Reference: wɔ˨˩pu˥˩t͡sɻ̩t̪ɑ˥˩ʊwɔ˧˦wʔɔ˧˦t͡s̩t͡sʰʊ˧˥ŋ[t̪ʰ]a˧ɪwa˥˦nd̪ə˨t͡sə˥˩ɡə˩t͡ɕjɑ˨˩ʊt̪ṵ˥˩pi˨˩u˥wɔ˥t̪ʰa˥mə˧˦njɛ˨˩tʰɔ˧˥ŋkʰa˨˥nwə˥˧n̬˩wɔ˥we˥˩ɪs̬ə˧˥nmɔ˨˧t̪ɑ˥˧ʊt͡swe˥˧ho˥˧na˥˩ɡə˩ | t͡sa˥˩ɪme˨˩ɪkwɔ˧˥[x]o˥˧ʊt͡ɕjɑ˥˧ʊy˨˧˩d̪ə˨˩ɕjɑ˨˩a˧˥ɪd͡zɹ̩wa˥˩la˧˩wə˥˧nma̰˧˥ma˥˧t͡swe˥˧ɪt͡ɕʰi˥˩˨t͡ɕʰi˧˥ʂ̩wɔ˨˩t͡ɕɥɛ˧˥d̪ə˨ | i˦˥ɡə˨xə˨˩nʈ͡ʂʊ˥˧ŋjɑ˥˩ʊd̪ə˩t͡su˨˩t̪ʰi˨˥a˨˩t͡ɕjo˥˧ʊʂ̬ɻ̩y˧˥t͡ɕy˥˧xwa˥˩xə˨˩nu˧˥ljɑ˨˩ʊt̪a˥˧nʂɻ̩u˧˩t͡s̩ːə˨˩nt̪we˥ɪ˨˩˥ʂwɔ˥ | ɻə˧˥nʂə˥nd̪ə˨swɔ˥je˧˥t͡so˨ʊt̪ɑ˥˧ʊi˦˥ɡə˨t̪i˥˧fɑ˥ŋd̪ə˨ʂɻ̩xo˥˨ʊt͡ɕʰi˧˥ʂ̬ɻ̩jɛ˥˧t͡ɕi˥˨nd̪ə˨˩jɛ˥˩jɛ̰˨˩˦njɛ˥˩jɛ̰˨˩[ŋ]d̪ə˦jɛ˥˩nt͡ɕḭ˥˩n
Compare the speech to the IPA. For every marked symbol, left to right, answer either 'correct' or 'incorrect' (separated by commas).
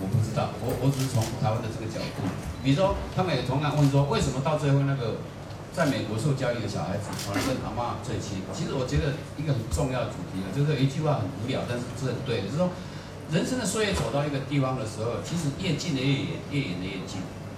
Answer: correct, incorrect, incorrect